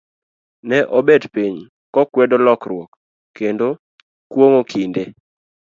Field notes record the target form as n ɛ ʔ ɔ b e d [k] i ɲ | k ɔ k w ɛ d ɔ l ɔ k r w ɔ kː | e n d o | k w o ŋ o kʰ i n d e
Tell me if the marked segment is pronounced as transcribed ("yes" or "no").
no